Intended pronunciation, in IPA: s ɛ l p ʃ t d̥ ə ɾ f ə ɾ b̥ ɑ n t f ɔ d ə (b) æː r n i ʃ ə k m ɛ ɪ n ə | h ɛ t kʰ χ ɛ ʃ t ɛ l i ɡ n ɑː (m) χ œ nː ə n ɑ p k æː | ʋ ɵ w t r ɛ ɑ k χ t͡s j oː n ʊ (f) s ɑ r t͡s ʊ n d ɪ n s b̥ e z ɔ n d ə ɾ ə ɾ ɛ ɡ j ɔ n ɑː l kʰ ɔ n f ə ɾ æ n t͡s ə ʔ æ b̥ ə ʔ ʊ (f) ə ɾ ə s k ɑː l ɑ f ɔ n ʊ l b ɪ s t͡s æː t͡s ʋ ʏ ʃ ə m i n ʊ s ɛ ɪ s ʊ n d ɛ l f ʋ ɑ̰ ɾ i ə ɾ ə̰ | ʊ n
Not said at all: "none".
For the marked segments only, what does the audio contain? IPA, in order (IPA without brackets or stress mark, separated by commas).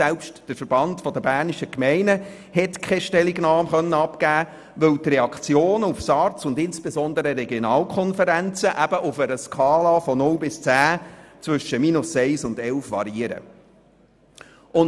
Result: b, m, f, f